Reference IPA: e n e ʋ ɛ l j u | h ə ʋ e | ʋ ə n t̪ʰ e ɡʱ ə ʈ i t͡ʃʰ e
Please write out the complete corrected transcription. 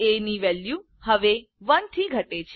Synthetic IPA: e n i ʋ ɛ l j u | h ə ʋ e | ʋ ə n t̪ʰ i ɡʱ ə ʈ e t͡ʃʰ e